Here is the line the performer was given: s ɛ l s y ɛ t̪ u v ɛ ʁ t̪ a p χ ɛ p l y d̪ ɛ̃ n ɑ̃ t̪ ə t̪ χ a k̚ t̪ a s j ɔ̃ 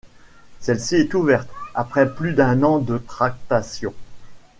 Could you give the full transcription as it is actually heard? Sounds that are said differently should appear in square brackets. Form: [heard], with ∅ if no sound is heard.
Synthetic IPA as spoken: s ɛ l s [i] ɛ t̪ u v ɛ ʁ t̪ a p χ ɛ p l y d̪ ɛ̃ n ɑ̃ [d̪] ə t̪ χ a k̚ t̪ a s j ɔ̃